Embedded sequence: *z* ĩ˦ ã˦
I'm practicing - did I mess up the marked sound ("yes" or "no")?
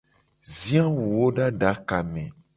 no